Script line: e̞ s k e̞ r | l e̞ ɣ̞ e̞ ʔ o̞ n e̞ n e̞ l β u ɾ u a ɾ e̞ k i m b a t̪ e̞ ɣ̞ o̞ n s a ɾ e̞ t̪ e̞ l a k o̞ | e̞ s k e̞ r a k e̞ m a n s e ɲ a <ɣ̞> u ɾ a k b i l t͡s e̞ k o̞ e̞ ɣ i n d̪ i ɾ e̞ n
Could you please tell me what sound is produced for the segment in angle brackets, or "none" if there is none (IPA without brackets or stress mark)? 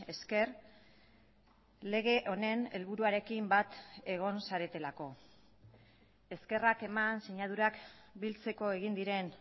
ð̞